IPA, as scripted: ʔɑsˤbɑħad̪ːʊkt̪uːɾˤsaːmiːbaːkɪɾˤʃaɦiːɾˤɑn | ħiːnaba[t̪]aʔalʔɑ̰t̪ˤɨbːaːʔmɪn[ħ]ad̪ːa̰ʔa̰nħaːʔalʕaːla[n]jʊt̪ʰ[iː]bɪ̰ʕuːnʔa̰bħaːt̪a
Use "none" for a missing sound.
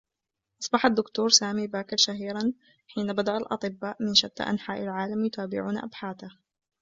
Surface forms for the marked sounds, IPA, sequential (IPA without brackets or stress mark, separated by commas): d̪, ʃ, m, aː